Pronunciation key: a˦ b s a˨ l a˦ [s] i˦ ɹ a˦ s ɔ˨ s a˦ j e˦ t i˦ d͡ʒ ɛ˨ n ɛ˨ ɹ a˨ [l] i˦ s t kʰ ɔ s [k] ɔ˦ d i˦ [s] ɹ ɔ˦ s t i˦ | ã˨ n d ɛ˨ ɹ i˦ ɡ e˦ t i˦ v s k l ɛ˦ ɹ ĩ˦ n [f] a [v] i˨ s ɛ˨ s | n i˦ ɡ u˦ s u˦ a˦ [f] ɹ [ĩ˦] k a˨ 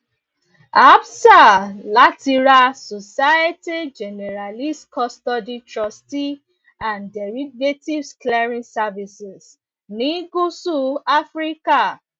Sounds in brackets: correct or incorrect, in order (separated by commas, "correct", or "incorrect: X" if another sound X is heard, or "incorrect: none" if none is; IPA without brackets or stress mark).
incorrect: t, correct, incorrect: t, incorrect: t, incorrect: s, correct, correct, incorrect: i˦